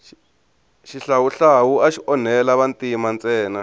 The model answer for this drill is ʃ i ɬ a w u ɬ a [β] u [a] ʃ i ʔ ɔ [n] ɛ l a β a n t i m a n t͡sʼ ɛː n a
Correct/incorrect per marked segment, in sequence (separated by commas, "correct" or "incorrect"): incorrect, correct, correct